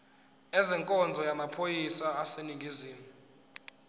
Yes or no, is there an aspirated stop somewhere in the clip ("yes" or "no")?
yes